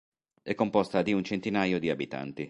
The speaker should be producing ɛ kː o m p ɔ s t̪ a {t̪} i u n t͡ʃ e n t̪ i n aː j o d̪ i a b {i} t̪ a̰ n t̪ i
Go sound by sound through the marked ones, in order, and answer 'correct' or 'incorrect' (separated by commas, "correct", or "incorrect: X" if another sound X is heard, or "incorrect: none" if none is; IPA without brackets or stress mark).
incorrect: d̪, correct